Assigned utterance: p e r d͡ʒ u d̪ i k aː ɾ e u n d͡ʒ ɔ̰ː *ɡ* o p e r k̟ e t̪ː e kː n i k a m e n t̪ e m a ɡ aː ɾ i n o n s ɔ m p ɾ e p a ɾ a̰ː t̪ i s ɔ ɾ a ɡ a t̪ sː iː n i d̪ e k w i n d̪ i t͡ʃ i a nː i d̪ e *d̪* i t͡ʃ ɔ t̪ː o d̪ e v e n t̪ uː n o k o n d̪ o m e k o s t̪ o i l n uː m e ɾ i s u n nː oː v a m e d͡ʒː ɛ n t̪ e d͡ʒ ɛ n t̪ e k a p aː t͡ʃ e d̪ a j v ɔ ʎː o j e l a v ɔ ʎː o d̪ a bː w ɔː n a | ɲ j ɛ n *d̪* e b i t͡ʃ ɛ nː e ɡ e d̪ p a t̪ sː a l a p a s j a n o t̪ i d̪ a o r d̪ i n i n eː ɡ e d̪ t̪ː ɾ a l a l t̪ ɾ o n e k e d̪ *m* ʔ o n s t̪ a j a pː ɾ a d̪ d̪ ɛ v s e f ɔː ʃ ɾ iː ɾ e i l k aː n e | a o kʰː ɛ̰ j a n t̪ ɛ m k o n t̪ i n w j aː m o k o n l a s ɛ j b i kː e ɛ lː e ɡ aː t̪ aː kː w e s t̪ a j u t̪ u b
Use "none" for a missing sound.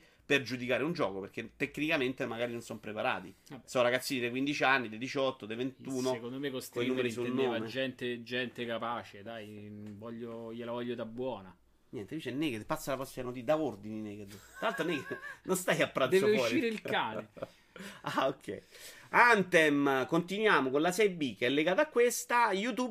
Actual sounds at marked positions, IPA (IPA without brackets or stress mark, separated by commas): k, d̪, t̪, n